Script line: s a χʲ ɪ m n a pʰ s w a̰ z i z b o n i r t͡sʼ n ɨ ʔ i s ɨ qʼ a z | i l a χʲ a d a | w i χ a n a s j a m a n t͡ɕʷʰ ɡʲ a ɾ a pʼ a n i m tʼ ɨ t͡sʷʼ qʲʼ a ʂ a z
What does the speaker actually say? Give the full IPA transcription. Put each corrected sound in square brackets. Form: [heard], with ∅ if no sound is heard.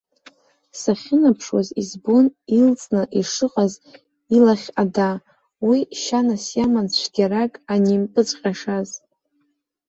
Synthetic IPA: s a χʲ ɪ [∅] n a pʰ [ʂ] w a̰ z i z b o n i [l] t͡sʼ n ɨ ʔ i [ʂ] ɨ qʼ a z | i l a χʲ a d a | w i [ʃ] a n a s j a m a n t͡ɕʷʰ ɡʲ a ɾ a [kʼ] a n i m [pʼ] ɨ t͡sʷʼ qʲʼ a ʂ a z